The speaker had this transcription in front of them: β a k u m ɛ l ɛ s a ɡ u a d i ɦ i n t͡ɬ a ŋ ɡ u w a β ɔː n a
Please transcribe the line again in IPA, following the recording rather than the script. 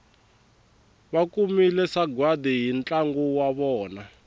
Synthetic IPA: β a k u m i l ɛ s a ɡ w a d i ɦ i n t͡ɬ a ŋ ɡ u w a β ɔː n a